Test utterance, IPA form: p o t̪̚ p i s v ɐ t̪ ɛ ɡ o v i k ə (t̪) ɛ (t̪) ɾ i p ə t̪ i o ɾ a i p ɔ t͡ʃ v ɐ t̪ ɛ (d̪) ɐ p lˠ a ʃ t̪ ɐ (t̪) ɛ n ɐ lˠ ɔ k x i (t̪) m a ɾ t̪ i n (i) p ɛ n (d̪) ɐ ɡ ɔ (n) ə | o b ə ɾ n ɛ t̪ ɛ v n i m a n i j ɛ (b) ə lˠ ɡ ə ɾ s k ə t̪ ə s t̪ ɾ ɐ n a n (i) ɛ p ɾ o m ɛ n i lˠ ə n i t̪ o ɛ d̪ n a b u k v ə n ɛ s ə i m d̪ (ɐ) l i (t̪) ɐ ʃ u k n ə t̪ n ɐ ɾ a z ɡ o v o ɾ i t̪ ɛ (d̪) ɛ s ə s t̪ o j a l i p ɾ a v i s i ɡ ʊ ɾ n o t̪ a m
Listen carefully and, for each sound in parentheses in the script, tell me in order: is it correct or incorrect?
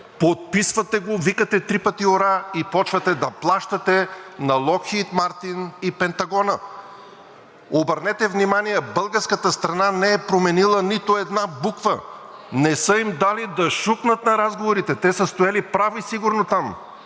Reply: correct, correct, correct, correct, correct, correct, incorrect, correct, correct, incorrect, incorrect, incorrect, incorrect

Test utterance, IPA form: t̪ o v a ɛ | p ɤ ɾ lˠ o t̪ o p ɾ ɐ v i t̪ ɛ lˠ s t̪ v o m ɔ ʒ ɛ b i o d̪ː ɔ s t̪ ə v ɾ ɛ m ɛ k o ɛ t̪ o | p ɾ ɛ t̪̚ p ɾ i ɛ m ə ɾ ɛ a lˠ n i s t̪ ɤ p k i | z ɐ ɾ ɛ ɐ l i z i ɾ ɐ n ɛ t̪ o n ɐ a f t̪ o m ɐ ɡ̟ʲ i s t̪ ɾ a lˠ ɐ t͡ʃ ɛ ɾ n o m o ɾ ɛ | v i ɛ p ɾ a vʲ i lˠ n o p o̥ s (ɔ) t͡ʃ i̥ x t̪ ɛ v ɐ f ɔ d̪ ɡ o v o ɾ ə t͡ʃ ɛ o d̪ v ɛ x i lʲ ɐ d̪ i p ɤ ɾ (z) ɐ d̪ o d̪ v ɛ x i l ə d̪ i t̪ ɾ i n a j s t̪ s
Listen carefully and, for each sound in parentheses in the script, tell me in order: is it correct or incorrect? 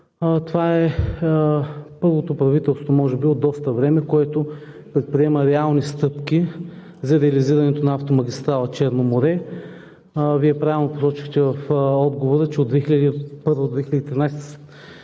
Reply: correct, incorrect

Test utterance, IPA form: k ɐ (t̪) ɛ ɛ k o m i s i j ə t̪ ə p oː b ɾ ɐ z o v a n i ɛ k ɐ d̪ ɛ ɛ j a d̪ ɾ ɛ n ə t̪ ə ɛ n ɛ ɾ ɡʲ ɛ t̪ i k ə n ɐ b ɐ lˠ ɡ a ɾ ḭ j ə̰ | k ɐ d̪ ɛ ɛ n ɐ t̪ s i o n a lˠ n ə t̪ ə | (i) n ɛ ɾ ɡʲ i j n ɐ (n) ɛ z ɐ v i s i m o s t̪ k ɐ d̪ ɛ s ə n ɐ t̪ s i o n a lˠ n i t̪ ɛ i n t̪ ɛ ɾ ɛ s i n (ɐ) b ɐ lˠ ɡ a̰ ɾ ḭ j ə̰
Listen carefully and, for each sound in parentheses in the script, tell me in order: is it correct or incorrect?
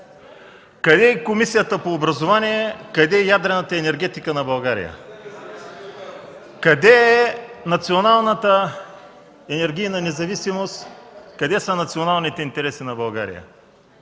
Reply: incorrect, incorrect, correct, correct

